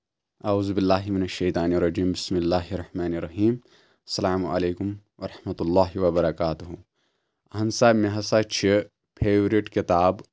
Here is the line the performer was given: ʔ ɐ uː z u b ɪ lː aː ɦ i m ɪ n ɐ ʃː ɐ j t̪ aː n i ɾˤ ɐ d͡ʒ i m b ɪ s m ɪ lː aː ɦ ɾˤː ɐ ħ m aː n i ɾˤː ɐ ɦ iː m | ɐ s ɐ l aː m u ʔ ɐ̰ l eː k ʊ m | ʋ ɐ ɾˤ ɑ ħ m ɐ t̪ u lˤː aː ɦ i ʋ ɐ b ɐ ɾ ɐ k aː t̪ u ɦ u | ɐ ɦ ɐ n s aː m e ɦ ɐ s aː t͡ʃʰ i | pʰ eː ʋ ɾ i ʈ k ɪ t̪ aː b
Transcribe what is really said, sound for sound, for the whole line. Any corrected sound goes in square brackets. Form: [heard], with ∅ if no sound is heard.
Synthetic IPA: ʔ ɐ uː z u b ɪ lː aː ɦ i m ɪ n ɐ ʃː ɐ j t̪ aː n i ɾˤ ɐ d͡ʒ [iː] m b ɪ s m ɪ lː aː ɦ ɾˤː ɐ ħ m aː n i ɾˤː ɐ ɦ iː m | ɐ s ɐ l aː m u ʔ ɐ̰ l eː k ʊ m | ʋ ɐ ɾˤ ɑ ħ m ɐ t̪ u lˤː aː ɦ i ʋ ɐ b ɐ ɾ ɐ k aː t̪ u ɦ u | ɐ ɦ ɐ n s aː m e ɦ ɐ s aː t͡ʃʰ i | pʰ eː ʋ ɾ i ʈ k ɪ t̪ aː b

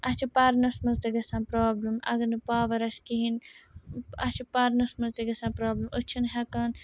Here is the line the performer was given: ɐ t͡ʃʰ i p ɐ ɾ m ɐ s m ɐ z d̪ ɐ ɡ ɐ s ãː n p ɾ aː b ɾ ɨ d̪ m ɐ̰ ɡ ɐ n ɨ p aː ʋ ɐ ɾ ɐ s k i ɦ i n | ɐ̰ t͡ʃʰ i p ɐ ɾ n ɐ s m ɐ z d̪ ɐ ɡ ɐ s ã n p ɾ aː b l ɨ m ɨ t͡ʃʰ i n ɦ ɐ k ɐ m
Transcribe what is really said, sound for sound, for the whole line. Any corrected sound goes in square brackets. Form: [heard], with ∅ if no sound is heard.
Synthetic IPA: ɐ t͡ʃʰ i p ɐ ɾ [n] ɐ s m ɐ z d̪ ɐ ɡ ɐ s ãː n p ɾ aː b [l] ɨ [∅] m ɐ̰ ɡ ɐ n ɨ p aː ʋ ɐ ɾ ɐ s k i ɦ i n | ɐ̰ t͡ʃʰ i p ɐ ɾ n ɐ s m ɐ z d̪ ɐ ɡ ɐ s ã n p ɾ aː b l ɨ m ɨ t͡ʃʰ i n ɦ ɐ k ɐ [n]

